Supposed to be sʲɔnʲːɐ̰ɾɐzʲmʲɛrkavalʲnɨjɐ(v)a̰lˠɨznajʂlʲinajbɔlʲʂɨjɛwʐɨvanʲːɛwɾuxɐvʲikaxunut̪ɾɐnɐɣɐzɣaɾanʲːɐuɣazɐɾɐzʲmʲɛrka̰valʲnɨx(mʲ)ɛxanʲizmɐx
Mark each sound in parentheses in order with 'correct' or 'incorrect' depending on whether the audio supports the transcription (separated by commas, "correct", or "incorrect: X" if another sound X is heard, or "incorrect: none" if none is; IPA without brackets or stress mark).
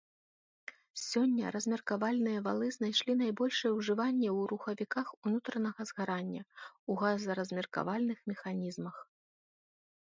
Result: correct, correct